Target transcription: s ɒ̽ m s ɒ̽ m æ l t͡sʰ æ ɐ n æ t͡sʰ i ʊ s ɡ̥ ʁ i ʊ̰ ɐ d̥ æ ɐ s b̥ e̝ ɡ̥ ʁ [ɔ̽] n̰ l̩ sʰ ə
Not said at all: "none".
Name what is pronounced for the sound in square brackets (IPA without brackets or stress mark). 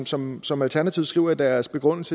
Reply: ɔ̽